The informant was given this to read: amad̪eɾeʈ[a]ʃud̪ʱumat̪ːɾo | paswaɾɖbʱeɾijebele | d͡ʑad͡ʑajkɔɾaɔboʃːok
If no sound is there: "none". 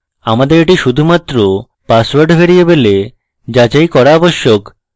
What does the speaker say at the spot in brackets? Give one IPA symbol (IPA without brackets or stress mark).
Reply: i